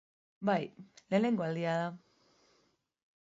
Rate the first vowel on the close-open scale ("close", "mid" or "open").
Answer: open